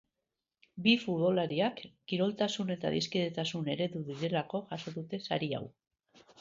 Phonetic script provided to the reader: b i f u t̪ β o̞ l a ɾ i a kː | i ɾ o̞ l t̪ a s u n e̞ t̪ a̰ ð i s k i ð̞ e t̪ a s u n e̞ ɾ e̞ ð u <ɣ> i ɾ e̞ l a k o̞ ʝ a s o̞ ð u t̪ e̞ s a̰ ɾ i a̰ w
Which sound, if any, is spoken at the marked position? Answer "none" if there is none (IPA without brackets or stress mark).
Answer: ð